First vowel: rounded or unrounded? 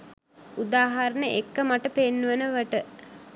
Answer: rounded